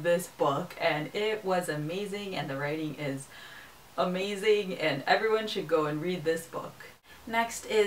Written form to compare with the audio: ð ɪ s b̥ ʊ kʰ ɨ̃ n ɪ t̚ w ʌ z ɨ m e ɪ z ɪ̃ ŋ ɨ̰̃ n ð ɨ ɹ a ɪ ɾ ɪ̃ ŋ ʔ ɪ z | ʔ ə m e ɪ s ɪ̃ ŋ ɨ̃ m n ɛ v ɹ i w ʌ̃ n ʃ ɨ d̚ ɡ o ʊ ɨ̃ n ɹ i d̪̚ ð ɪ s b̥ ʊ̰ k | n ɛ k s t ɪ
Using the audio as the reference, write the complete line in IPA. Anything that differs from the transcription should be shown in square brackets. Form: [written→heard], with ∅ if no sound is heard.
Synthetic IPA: ð ɪ s b̥ ʊ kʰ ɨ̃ n ɪ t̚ w ʌ z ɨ m e ɪ z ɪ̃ ŋ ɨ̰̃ n ð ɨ ɹ a ɪ ɾ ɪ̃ ŋ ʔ ɪ z | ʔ ə m e ɪ [s→z] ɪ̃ ŋ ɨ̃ [m→∅] n ɛ v ɹ i w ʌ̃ n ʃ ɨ d̚ ɡ o ʊ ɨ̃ n ɹ i d̪̚ ð ɪ s b̥ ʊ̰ k | n ɛ k s t ɪ